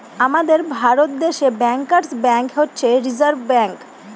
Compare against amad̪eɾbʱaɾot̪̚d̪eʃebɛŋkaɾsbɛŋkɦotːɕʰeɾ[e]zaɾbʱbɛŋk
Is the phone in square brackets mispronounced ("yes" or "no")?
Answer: yes